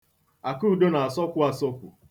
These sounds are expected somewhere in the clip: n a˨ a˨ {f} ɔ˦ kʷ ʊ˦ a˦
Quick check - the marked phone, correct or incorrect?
incorrect